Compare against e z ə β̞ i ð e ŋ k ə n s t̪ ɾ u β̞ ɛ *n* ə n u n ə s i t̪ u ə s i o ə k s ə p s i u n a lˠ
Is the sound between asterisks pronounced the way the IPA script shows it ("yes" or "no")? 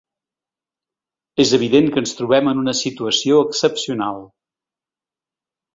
no